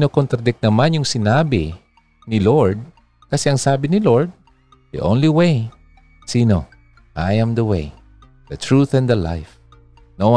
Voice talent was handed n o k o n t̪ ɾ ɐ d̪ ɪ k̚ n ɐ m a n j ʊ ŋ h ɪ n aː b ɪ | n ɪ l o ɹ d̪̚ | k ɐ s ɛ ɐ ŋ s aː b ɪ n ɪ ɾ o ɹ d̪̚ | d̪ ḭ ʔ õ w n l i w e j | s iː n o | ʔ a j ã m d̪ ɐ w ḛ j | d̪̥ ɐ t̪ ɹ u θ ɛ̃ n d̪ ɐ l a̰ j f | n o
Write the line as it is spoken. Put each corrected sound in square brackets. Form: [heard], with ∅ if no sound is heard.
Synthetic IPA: n o k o n t̪ ɾ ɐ d̪ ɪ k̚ n ɐ m a n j ʊ ŋ [s] ɪ n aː b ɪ | n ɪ l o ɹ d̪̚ | k ɐ s ɛ ɐ ŋ s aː b ɪ n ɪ [l] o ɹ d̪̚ | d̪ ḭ ʔ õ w n l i w e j | s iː n o | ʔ a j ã m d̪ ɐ w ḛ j | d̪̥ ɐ t̪ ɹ u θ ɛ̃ n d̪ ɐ l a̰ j f | n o